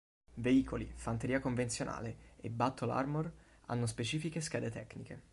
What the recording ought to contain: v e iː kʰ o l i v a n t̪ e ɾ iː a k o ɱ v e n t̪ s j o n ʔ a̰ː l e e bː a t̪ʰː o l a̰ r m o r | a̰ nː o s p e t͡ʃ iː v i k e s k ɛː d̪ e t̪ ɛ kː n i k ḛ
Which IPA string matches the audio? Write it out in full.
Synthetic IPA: v e iː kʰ o l i f a n t̪ e ɾ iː a k o ɱ v e n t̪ s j o n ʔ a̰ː l e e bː a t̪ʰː o l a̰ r m o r | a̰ nː o s p e t͡ʃ iː f i k e s k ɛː d̪ e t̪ ɛ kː n i k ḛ